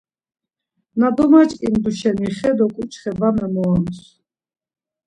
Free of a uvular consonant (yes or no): no